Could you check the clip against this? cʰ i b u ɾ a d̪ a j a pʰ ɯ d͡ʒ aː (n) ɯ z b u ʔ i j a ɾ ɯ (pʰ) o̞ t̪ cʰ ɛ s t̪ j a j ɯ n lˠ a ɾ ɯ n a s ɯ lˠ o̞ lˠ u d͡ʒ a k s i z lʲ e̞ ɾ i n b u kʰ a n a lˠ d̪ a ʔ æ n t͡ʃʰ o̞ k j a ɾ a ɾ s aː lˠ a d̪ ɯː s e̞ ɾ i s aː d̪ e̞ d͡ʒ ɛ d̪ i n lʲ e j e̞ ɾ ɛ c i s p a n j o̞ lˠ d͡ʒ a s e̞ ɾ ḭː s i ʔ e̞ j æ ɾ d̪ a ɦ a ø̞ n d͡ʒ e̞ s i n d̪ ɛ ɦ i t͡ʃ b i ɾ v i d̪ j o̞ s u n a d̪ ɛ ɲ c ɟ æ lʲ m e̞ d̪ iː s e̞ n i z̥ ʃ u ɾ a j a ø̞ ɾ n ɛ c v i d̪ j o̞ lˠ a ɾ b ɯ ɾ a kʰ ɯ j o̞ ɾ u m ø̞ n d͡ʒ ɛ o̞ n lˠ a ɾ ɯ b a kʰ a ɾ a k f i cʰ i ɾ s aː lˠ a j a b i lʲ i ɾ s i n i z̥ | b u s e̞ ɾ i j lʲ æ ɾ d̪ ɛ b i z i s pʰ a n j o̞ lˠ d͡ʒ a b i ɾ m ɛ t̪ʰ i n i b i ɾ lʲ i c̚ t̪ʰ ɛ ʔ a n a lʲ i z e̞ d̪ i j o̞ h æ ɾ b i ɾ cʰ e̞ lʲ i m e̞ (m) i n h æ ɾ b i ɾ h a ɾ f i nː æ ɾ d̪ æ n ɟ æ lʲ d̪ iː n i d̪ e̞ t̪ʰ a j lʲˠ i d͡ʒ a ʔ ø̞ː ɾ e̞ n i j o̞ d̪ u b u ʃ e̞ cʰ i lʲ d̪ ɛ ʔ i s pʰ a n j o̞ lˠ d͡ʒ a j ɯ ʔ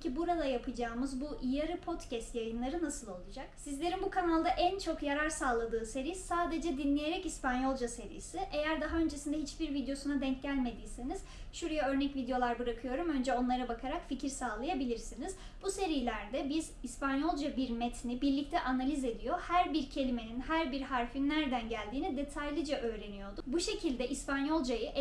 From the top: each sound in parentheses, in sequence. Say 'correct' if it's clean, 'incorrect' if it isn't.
incorrect, correct, incorrect

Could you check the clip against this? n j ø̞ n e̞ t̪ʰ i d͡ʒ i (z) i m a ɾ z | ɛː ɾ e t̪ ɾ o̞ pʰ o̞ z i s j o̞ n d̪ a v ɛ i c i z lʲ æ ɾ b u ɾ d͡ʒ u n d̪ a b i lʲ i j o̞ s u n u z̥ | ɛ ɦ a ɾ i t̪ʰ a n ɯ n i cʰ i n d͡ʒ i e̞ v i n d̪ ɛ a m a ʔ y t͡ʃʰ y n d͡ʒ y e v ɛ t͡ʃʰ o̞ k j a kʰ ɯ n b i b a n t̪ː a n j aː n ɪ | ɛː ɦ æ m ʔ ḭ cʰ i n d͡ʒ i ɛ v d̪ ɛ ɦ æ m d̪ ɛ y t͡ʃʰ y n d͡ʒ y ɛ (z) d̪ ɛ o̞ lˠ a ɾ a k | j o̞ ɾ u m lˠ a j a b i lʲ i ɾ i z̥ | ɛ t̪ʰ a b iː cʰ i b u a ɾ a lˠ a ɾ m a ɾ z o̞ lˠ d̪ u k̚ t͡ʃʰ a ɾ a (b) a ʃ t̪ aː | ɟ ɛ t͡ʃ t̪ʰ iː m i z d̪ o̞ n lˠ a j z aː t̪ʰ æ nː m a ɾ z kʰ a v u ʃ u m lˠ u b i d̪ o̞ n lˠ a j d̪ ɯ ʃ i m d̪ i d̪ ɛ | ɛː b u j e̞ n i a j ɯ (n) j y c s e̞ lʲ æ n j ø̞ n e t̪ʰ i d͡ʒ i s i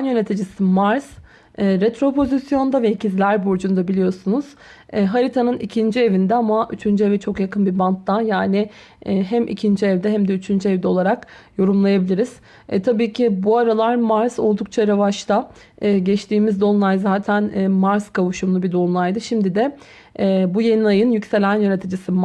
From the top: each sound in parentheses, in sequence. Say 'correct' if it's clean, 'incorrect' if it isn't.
incorrect, incorrect, incorrect, correct

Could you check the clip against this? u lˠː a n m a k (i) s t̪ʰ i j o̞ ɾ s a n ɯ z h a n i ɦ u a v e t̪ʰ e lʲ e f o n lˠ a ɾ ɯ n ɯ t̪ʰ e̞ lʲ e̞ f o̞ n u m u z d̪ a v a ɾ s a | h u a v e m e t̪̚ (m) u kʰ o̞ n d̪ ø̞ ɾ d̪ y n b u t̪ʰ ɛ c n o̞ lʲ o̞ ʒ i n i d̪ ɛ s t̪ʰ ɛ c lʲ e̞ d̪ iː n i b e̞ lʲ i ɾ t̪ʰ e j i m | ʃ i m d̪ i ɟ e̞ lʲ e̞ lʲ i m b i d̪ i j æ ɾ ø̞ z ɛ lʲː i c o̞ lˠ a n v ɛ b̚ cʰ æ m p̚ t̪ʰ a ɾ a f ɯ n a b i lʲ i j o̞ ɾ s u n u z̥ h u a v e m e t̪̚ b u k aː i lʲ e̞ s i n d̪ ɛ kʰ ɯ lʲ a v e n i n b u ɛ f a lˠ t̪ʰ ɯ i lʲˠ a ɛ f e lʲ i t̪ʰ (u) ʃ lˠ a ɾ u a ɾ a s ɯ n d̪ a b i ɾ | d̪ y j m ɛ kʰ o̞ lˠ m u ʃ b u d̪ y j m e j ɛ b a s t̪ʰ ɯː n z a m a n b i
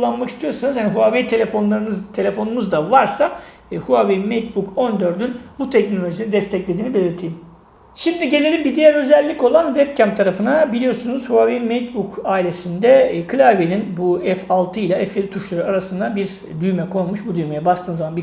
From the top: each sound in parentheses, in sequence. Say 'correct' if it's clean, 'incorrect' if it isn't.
correct, incorrect, correct

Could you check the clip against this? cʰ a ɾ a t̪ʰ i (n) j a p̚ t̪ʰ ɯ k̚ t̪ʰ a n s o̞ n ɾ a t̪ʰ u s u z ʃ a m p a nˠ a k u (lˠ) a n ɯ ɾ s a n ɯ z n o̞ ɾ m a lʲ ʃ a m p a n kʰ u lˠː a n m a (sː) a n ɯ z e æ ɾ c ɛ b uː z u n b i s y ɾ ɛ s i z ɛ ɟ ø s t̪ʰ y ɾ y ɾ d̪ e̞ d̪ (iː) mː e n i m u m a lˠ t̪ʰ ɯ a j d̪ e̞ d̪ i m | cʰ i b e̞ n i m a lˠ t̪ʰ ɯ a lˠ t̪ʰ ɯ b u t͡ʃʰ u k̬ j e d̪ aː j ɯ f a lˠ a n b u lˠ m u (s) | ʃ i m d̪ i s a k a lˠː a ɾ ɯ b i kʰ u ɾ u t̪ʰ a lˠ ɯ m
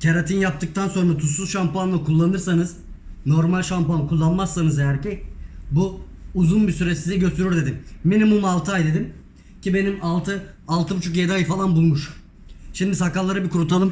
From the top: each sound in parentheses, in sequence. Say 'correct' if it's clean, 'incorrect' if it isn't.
correct, incorrect, correct, incorrect, incorrect

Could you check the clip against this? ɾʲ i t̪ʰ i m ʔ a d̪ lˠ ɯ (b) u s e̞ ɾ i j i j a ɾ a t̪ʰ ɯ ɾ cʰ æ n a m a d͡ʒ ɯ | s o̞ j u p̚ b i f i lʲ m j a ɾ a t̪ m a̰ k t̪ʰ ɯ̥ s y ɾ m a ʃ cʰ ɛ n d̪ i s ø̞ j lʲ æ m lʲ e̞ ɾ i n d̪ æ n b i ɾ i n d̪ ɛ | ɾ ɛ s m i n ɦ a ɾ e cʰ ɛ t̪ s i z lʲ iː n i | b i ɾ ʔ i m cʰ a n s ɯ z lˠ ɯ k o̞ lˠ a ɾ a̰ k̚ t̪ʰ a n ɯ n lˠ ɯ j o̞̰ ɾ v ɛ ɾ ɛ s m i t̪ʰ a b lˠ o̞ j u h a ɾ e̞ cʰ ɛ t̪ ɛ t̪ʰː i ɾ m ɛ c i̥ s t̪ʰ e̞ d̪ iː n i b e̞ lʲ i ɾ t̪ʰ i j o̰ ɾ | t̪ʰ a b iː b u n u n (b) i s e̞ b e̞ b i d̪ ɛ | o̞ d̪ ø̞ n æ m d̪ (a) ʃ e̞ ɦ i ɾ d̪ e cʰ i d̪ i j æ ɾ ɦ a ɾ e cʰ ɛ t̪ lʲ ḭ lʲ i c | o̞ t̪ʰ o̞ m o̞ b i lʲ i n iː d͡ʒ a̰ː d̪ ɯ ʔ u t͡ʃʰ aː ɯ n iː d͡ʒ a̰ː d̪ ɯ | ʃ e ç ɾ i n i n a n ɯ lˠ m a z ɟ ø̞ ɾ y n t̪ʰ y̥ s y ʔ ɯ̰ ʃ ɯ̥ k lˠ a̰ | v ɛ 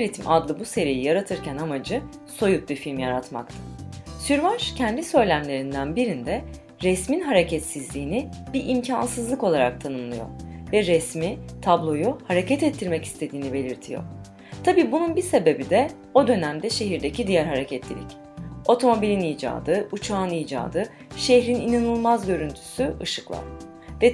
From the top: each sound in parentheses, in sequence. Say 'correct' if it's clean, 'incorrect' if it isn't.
correct, correct, incorrect

